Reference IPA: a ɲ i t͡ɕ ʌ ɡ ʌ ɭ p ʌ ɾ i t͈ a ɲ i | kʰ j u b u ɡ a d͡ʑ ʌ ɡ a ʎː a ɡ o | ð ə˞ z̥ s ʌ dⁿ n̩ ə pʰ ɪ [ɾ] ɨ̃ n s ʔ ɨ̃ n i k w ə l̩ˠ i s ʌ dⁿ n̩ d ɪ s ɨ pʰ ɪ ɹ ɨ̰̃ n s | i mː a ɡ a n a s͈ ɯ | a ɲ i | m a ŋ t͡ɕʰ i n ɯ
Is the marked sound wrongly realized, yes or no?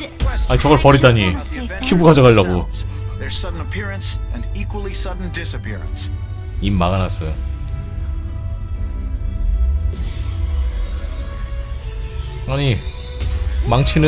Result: yes